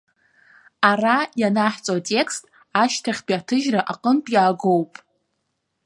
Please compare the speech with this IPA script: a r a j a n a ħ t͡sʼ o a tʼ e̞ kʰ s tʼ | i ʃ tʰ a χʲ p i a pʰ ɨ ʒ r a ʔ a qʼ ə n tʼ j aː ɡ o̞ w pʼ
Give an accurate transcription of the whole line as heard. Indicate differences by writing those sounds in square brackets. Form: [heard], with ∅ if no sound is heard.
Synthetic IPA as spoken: a r a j a n a ħ t͡sʼ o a tʼ e̞ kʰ s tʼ | [a] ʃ tʰ a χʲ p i a [tʰ] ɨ ʒ r a ʔ a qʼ ə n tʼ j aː ɡ o̞ w pʼ